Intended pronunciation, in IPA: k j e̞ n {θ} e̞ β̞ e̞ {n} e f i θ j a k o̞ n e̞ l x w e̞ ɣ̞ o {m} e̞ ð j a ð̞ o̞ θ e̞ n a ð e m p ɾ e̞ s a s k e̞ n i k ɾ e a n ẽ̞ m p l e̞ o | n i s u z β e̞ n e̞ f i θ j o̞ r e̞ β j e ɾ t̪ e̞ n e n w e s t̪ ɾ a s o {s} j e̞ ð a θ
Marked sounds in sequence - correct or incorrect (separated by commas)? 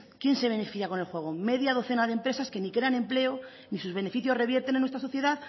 incorrect, correct, correct, incorrect